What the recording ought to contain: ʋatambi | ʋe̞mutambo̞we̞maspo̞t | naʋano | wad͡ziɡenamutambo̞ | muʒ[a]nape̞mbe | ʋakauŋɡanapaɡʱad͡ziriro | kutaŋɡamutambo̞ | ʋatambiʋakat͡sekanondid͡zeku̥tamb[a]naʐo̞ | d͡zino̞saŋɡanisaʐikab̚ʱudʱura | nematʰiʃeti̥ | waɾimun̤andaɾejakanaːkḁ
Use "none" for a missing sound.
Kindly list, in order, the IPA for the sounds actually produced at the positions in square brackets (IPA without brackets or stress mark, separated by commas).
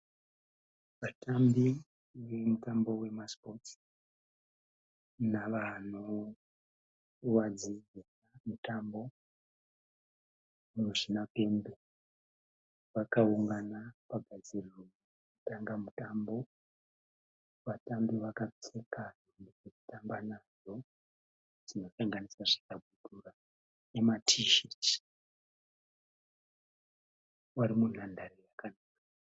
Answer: i, a